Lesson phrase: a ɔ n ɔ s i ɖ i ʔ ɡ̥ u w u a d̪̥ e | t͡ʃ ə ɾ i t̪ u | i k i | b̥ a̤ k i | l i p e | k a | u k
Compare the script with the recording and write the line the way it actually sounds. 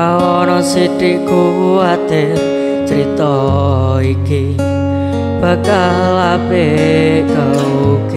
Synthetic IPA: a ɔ n ɔ s i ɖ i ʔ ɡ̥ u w u a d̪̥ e | t͡ʃ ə ɾ i t̪ ɔ | i k i | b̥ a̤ k a | l a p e | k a | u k